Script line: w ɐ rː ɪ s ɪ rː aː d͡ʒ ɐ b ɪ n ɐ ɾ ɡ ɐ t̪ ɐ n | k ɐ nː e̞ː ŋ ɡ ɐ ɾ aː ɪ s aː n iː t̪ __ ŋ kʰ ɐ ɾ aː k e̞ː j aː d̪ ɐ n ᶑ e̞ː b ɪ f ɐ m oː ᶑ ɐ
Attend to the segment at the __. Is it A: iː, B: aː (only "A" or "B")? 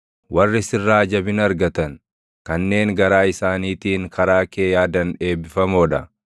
A